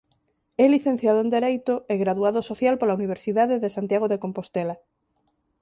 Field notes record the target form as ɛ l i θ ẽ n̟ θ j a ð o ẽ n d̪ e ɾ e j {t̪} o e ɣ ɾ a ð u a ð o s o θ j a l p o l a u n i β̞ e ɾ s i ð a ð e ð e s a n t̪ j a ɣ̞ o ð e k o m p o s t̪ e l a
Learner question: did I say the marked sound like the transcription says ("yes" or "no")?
yes